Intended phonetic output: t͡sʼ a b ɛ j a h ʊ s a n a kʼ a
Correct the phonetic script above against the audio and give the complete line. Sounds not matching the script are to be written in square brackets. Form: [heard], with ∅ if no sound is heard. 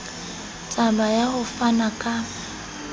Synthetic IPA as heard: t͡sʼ a b [a] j a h ʊ [f] a n a kʼ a